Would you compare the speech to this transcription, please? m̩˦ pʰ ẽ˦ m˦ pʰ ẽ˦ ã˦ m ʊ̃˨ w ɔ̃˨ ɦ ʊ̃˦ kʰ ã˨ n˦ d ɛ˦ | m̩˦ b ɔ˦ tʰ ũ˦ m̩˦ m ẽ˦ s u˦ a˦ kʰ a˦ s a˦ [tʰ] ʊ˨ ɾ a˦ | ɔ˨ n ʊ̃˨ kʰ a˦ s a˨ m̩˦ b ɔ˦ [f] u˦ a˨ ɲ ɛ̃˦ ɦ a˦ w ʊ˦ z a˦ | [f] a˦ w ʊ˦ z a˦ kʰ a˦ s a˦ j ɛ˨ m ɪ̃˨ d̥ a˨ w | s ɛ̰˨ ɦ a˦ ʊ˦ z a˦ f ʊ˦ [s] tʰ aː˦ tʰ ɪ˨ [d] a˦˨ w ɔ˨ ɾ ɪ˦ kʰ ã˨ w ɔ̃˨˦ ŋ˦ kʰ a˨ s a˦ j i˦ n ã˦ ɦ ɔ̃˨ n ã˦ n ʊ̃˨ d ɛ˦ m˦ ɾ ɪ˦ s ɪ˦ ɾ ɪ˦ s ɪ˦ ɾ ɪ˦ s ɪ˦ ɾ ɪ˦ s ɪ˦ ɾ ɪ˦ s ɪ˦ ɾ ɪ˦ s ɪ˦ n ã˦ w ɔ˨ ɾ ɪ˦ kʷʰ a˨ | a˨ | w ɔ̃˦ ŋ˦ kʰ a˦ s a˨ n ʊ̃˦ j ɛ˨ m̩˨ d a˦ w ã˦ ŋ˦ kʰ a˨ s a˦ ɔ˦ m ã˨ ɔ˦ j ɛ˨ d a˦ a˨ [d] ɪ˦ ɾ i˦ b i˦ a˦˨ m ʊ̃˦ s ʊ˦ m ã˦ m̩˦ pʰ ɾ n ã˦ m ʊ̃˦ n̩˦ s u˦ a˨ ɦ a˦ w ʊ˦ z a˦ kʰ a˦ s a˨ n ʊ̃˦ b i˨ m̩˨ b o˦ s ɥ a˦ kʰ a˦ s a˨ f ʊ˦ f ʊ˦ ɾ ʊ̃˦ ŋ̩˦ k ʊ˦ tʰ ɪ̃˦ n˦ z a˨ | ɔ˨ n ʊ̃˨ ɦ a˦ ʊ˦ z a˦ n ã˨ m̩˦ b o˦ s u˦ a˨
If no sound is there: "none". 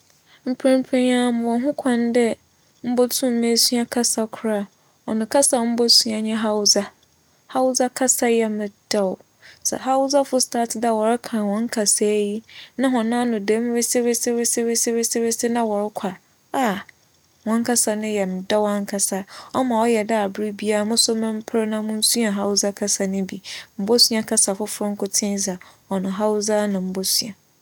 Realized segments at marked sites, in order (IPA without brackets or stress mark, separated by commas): kʰ, s, h, s, d, b